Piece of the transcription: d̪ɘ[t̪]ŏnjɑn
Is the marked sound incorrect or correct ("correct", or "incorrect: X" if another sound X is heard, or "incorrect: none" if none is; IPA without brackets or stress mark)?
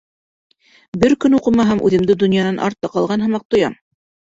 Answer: incorrect: d̪